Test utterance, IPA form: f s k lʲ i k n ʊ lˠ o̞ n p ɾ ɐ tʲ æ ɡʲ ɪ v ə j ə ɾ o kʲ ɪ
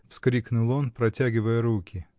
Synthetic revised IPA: f s k ɾʲ i k n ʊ lˠ o̞ n p ɾ ɐ tʲ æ ɡʲ ɪ v ə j ə ɾ u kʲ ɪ